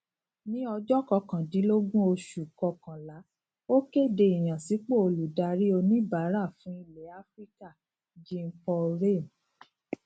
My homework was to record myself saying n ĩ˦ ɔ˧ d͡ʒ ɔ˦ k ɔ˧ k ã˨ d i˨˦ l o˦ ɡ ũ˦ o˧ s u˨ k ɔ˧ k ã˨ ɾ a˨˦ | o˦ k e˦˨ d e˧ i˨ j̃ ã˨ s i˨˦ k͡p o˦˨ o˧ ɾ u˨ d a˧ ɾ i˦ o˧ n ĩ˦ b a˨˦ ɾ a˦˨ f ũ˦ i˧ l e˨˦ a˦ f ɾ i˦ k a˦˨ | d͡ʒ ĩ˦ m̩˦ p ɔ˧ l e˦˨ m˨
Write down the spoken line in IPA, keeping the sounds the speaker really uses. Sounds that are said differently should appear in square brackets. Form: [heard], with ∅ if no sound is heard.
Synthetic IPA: n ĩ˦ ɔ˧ d͡ʒ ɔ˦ k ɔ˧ k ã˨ d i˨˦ l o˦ ɡ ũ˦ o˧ [ʃ] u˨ k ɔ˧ k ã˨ [l] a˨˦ | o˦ k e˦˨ d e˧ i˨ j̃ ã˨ s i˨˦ k͡p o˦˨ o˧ [l] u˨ d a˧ ɾ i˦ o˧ n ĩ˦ b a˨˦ ɾ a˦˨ f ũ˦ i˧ l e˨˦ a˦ f ɾ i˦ k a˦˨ | d͡ʒ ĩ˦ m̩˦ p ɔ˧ [ɾ] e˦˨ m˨

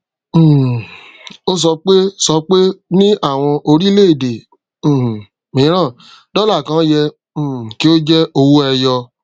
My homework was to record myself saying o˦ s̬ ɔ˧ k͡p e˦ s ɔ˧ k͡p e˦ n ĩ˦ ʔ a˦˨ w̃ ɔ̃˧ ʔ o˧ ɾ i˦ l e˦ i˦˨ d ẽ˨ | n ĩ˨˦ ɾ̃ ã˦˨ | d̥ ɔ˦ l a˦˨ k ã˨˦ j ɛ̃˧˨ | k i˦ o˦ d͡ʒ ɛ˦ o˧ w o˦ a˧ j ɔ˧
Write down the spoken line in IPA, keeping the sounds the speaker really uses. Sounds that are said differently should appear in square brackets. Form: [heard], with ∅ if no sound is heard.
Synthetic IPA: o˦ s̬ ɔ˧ k͡p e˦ s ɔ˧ k͡p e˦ n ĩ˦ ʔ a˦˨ w̃ ɔ̃˧ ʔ o˧ ɾ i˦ l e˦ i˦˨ d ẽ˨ | [m] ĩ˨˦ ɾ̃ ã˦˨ | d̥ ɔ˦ l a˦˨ k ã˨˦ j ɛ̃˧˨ | k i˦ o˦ d͡ʒ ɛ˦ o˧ w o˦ [ɛ˧] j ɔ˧

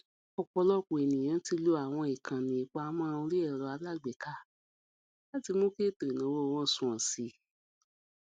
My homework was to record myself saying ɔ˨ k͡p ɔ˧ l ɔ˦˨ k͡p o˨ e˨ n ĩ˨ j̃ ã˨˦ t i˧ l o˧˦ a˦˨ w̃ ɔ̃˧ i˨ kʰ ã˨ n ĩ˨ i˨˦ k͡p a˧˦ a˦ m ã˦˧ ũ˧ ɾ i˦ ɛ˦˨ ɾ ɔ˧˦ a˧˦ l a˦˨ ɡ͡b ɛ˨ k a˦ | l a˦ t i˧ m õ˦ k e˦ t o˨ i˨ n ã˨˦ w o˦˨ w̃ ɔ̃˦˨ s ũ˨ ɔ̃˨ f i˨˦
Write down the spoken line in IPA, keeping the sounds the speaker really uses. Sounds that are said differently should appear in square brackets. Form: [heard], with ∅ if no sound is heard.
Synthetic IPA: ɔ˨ k͡p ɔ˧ l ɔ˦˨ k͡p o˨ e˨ n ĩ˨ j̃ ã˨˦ t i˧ l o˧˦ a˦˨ w̃ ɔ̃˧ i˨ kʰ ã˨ n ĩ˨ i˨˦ k͡p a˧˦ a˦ m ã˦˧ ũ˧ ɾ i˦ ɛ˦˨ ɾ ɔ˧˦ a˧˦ l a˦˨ ɡ͡b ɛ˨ k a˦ | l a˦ t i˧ m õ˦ k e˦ t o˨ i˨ n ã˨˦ w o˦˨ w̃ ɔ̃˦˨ s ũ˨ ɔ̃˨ [s] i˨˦

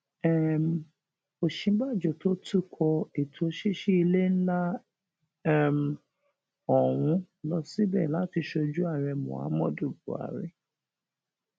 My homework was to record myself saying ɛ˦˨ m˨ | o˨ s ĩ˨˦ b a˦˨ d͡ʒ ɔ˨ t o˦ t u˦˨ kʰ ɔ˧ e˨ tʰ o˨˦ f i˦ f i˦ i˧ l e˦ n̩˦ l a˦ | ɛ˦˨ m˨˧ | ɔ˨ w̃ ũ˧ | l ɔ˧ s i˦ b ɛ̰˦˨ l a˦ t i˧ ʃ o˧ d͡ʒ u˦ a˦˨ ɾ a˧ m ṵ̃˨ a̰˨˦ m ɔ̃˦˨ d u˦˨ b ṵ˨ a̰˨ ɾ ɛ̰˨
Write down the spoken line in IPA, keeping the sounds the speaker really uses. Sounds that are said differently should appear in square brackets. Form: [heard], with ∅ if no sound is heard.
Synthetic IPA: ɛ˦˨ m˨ | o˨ [ʃ] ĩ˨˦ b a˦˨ d͡ʒ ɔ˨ t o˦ t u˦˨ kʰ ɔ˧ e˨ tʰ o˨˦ [ʃ] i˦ [ʃ] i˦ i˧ l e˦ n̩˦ l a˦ | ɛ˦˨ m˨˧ | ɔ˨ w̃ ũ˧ | l ɔ˧ s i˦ b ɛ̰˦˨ l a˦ t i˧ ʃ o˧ d͡ʒ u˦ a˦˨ ɾ [ɛ˧] m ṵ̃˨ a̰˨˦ m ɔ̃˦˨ d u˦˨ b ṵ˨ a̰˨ ɾ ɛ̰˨

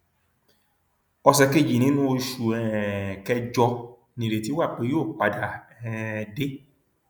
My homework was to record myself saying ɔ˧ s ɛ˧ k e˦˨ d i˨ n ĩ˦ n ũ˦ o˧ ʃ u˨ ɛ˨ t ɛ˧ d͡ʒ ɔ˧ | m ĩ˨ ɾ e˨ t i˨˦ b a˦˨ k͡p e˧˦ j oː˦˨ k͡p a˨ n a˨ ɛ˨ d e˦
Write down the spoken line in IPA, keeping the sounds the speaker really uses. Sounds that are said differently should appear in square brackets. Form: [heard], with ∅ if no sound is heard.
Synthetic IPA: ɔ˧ s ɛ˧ k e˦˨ [d͡ʒ] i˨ n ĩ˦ n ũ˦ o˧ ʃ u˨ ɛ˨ [k] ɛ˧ d͡ʒ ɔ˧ | [n] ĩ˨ ɾ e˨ t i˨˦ [w] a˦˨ k͡p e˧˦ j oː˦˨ k͡p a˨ [d] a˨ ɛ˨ d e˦

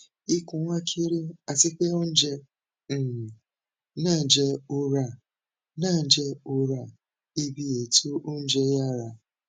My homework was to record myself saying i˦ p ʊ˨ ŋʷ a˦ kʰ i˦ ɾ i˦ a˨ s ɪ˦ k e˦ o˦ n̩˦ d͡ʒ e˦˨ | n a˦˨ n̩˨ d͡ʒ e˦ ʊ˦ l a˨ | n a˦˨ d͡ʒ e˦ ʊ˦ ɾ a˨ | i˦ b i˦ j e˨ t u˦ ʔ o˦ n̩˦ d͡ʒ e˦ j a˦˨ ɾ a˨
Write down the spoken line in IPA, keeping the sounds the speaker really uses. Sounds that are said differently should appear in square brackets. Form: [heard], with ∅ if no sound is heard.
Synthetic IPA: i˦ [k] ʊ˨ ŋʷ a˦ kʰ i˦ ɾ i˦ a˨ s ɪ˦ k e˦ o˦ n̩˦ d͡ʒ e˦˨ | n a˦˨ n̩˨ d͡ʒ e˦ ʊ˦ [ɾ] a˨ | n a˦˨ d͡ʒ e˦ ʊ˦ ɾ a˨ | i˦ b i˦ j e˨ t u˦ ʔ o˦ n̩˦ d͡ʒ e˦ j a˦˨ ɾ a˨

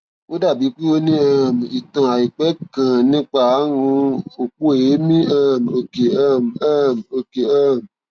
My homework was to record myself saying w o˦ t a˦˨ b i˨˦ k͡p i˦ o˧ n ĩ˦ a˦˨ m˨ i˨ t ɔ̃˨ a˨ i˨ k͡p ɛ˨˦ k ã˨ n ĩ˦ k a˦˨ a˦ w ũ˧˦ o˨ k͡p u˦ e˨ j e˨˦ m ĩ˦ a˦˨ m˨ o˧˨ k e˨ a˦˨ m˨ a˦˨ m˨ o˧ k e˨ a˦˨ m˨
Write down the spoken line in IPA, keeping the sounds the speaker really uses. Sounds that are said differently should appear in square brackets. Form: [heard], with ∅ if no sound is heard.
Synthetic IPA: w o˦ [d] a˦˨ b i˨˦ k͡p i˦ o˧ n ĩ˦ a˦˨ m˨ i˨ t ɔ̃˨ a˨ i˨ k͡p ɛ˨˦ k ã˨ n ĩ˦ [k͡p] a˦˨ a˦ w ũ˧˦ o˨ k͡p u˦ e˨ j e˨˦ m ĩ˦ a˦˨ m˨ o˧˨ k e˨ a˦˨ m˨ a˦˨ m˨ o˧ k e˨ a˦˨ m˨

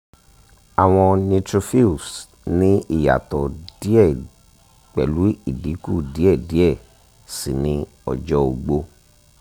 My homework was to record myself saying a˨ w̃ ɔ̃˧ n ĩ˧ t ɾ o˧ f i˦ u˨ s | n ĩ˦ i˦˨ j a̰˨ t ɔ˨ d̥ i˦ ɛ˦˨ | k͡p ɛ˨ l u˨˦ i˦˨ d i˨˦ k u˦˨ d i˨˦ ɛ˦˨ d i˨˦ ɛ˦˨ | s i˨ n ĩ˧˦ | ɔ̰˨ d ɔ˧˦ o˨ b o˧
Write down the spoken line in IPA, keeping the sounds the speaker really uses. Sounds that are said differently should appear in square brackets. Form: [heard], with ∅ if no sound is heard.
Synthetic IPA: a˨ w̃ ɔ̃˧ n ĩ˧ t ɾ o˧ f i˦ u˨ s | n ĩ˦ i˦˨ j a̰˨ t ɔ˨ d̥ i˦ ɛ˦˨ | k͡p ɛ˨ l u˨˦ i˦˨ d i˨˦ k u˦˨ d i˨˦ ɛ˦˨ d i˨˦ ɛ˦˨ | s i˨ n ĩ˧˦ | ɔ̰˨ [d͡ʒ] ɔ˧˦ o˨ [ɡ͡b] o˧

